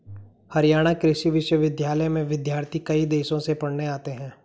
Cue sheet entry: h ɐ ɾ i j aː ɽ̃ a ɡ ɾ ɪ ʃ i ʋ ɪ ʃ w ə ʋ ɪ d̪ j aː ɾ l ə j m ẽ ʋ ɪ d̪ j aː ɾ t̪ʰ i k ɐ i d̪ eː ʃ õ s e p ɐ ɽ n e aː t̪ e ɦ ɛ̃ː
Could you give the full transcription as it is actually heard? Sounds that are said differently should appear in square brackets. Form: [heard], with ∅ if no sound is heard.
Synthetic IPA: h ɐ ɾ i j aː ɽ̃ a [k] ɾ ɪ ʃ i ʋ ɪ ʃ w ə ʋ ɪ d̪ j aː [∅] l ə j m ẽ ʋ ɪ d̪ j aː ɾ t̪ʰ i k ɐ i d̪ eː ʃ õ s e p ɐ ɽ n e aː t̪ e ɦ ɛ̃ː

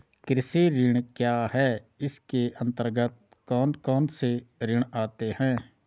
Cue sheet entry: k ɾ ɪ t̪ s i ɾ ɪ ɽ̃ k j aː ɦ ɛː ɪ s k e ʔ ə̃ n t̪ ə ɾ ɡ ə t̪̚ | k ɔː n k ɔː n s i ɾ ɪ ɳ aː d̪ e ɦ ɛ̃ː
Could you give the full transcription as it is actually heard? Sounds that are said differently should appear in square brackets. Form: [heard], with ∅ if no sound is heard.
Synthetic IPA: k ɾ ɪ [∅] s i ɾ ɪ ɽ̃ k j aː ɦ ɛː ɪ s k e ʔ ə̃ n t̪ ə ɾ ɡ ə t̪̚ | k ɔː n k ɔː n s [e] ɾ ɪ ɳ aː [t̪] e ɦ ɛ̃ː

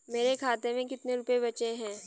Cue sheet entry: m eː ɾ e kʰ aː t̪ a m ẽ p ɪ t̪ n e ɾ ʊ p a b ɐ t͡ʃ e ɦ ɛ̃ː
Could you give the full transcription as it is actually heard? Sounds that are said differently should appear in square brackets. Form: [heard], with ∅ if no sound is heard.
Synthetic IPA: m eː ɾ e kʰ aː t̪ [e] m ẽ [k] ɪ t̪ n e ɾ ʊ p [e] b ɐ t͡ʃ e ɦ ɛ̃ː

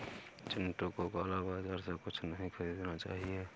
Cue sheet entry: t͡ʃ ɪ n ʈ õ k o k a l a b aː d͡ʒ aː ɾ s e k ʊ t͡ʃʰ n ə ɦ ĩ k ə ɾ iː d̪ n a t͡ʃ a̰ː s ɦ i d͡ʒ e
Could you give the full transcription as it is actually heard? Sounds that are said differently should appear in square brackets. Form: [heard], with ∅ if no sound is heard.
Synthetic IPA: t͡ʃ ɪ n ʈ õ k o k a l a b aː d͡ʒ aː ɾ s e k ʊ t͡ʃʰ n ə ɦ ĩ [kʰ] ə ɾ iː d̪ n a t͡ʃ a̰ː [∅] ɦ i [∅] e

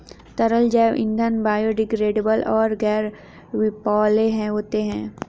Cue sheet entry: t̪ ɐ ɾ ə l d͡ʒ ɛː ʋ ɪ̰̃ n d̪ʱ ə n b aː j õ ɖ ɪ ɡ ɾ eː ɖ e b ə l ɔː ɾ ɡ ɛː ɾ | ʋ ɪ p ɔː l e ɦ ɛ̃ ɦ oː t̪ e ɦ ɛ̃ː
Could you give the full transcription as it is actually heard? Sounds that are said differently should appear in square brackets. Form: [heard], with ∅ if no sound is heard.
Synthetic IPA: t̪ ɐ ɾ ə l d͡ʒ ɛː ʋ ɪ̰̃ n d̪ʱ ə n b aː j [o] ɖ ɪ ɡ ɾ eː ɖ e b ə l ɔː ɾ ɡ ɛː ɾ | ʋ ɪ p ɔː l e ɦ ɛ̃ ɦ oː t̪ e ɦ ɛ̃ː

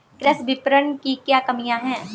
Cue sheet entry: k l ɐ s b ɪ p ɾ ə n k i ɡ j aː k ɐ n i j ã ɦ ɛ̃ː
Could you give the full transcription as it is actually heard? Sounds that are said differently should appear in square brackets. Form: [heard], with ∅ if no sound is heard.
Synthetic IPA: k [ɾ] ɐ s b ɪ p ɾ ə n k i [k] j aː k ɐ [m] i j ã ɦ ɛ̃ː

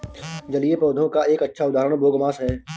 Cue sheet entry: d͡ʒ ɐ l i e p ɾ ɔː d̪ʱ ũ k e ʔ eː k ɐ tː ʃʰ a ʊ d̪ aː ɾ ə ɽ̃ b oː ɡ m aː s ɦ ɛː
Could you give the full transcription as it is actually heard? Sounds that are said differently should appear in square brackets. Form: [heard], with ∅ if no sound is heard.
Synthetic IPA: d͡ʒ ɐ l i e p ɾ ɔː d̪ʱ [õ] k [a] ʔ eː k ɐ tː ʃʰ a ʊ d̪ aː ɾ ə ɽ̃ b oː ɡ m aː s ɦ ɛː

